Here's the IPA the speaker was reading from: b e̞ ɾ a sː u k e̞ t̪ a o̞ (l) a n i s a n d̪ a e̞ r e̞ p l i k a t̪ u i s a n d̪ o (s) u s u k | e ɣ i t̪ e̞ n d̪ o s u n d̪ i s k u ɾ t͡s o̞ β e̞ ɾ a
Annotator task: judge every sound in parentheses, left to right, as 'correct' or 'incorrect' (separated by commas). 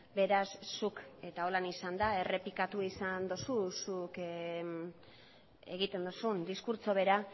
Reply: correct, correct